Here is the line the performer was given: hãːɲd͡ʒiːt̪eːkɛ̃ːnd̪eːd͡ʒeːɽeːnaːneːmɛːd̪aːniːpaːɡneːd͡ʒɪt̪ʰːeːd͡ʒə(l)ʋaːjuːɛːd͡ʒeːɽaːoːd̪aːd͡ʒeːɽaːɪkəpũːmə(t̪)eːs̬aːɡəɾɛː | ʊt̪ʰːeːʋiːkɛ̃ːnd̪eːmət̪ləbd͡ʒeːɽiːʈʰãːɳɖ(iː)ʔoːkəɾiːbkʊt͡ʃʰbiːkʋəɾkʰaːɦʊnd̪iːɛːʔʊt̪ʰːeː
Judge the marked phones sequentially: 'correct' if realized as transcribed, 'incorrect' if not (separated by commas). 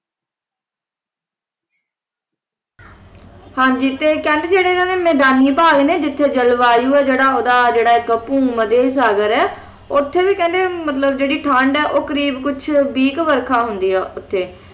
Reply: correct, incorrect, incorrect